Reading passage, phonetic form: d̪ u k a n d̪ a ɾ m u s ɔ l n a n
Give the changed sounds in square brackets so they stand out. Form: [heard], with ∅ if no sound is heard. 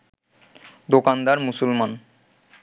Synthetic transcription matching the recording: d̪ [o] k a n d̪ a ɾ m u s [u] l [m] a n